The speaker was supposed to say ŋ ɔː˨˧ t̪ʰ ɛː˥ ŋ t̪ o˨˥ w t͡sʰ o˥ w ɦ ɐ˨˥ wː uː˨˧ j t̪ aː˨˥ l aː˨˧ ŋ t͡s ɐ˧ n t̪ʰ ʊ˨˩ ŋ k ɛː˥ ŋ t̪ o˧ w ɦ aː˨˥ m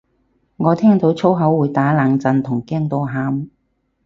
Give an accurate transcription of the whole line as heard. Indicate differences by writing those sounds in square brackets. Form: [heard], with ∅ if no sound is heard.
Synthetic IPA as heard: ŋ ɔː˨˧ t̪ʰ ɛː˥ ŋ t̪ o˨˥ w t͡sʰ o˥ w ɦ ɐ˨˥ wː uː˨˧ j t̪ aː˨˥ l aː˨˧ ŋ t͡s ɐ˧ n t̪ʰ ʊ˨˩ ŋ k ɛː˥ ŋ t̪ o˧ w ɦ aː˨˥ m